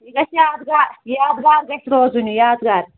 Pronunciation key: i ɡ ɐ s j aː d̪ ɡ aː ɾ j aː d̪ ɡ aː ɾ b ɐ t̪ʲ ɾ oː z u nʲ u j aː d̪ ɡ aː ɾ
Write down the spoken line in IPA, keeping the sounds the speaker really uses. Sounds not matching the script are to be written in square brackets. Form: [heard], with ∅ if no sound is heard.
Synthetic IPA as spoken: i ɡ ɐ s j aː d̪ ɡ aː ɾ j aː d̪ ɡ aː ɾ [ɡ] ɐ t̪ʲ ɾ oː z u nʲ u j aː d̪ ɡ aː ɾ

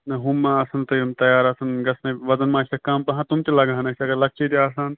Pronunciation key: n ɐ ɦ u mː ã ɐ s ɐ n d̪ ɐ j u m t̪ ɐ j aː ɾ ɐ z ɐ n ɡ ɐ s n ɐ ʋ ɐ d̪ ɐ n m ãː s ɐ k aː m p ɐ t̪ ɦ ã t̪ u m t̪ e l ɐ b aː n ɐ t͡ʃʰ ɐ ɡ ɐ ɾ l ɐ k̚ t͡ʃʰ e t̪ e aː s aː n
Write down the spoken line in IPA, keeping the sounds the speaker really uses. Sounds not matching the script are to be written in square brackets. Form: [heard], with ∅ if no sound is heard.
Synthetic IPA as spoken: n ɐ ɦ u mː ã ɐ s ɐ n [t̪] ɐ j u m t̪ ɐ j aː ɾ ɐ [s] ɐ n ɡ ɐ s n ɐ ʋ ɐ d̪ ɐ n m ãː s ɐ k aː m p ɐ [∅] ɦ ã t̪ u m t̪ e l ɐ [ɡ] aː n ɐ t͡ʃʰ ɐ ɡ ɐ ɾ l ɐ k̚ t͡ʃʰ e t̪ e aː s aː n

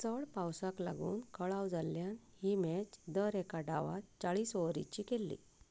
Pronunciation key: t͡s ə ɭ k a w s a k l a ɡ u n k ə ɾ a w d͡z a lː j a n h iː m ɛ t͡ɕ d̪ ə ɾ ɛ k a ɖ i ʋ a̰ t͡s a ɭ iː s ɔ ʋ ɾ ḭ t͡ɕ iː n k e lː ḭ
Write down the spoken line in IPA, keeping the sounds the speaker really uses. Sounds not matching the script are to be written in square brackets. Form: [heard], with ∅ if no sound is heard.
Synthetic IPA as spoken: t͡s ə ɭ [p] a w s a k l a ɡ [uː] n k ə [ɭ] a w d͡z a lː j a n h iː m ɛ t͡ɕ d̪ ə ɾ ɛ k a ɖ [a] ʋ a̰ t͡s a ɭ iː s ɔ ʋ ɾ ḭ t͡ɕ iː [∅] k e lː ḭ

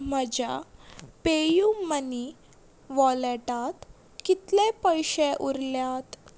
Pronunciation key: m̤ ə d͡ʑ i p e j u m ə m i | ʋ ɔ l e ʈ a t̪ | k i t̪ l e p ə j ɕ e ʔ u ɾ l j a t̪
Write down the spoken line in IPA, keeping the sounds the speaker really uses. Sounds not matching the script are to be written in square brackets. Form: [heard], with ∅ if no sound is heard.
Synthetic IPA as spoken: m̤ ə d͡ʑ [a] p e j u m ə [n] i | ʋ ɔ l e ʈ a t̪ | k i t̪ l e p ə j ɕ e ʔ u ɾ l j a t̪

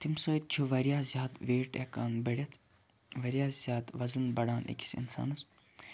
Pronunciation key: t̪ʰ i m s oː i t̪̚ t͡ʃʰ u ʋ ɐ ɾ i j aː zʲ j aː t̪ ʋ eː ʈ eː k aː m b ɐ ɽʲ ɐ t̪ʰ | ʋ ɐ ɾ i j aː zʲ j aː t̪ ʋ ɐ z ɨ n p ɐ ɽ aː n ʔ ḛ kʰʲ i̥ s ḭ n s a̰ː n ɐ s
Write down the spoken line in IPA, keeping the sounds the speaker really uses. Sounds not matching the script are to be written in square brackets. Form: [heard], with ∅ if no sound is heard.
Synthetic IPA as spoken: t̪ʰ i m s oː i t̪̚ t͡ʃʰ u ʋ ɐ ɾ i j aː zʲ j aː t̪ ʋ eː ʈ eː k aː [n] b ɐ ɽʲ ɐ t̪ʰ | ʋ ɐ ɾ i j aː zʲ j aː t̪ ʋ ɐ z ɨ n [b] ɐ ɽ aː n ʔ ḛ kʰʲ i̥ s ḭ n s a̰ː n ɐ s

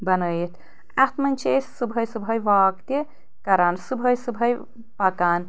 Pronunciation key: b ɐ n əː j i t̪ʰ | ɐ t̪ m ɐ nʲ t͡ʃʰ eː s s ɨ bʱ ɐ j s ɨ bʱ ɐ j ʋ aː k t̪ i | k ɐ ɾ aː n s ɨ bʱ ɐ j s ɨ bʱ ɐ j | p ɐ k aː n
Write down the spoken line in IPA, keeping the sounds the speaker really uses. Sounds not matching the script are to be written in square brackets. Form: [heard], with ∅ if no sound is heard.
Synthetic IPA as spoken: b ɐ n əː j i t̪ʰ | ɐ t̪ m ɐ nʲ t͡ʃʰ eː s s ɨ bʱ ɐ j s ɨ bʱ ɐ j ʋ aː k t̪ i | k ɐ ɾ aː n s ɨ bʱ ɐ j s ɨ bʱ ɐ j | p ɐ k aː n

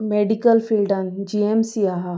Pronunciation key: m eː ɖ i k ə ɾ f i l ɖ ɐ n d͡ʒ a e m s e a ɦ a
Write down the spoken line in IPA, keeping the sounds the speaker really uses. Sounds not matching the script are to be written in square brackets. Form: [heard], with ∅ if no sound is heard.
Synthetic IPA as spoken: m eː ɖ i k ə [l] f i l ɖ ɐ n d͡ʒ [i] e m s [i] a ɦ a

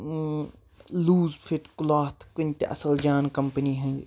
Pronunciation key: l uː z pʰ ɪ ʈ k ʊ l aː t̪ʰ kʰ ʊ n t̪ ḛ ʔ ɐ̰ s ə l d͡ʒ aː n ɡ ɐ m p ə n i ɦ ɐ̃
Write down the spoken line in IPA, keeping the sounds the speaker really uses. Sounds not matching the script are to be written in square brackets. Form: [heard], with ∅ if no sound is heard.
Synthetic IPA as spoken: l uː z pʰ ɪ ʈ k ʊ l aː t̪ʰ [k] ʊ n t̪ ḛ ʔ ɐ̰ s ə l d͡ʒ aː n [k] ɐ m p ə n i ɦ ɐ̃

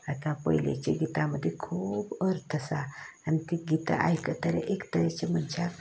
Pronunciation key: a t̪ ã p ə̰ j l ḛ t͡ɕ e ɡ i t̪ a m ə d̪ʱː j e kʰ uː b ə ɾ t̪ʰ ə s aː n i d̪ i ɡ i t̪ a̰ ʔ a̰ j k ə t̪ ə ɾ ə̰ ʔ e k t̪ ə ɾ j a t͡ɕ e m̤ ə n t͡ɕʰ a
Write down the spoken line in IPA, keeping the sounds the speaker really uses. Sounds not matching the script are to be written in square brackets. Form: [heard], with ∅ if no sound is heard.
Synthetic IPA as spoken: a t̪ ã p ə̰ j l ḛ t͡ɕ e ɡ i t̪ a m ə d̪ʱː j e kʰ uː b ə ɾ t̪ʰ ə s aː n i [t̪] i ɡ i t̪ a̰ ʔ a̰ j k ə t̪ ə ɾ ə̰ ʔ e k t̪ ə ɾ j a t͡ɕ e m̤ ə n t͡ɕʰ a

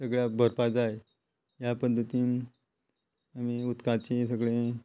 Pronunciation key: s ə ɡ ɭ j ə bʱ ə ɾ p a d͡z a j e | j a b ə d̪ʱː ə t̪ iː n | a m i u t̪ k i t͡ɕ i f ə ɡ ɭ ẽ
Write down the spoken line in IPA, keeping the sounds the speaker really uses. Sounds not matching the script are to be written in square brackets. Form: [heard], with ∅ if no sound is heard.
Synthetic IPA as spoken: s ə ɡ ɭ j [a] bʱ ə ɾ p a d͡z a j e | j a [p] ə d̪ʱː ə t̪ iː n | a m i u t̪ k [a] t͡ɕ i [s] ə ɡ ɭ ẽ

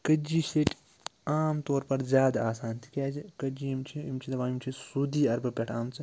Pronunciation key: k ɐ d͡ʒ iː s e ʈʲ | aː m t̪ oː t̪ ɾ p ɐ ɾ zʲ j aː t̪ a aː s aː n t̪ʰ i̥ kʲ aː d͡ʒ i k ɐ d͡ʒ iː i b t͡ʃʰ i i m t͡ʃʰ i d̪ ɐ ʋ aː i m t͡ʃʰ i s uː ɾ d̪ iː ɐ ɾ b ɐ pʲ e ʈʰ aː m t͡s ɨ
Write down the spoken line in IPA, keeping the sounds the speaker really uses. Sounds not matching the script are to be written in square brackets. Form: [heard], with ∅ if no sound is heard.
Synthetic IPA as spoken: k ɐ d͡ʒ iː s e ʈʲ | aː m t̪ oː [∅] ɾ p ɐ ɾ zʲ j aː [d̪] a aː s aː n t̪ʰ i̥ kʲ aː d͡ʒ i k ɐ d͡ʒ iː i [m] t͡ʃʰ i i m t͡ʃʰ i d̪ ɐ ʋ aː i m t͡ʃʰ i s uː [∅] d̪ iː ɐ ɾ b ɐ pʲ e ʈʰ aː m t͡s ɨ

